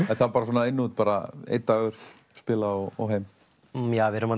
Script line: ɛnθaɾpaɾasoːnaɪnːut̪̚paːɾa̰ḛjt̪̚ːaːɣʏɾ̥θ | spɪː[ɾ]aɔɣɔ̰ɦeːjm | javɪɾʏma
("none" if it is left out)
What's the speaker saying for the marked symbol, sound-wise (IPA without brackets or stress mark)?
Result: l